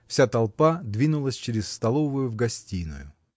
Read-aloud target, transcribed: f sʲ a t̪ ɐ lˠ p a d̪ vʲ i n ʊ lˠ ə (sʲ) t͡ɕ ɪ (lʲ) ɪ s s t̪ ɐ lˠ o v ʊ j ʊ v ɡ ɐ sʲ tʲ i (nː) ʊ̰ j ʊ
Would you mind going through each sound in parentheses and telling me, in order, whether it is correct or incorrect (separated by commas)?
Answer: correct, incorrect, incorrect